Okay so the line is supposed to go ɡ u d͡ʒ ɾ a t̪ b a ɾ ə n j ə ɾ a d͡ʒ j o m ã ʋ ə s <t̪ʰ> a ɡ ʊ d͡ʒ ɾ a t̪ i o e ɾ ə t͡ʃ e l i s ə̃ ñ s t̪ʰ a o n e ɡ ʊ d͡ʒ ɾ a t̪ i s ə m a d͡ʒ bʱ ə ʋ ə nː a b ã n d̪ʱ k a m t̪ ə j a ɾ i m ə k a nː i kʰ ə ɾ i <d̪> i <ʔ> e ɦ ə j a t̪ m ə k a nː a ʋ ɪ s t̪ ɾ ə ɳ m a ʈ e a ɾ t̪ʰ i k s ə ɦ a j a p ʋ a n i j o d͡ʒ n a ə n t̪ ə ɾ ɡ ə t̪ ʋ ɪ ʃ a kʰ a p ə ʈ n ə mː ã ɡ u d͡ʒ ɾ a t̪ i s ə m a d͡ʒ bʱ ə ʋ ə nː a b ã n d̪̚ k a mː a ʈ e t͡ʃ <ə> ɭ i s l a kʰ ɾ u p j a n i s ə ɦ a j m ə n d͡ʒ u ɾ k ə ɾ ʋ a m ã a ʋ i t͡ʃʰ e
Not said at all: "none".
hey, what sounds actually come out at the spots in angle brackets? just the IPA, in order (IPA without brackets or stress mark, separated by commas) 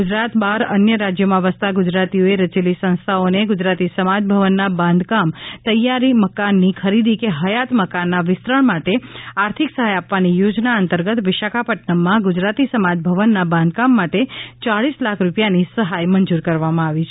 t̪, d̪, k, a